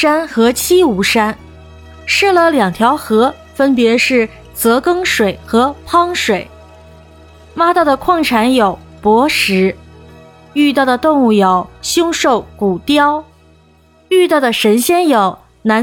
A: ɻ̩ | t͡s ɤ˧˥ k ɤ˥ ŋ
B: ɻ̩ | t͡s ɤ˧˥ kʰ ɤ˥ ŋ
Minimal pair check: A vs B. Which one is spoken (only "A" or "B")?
A